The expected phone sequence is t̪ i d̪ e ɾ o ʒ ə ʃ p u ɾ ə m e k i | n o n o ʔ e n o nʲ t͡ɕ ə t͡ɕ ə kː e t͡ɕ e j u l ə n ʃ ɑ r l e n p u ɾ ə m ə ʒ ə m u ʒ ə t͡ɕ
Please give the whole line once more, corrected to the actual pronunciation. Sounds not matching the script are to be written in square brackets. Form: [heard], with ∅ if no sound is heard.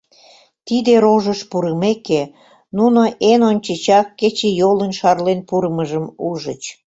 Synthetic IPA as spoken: t̪ i d̪ e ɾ o ʒ ə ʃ p u ɾ ə m e k [e] | n [u] n o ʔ e n o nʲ t͡ɕ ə t͡ɕ [ɑ] kː e t͡ɕ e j [o] l ə n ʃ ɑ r l e n p u ɾ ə m ə ʒ ə m u ʒ ə t͡ɕ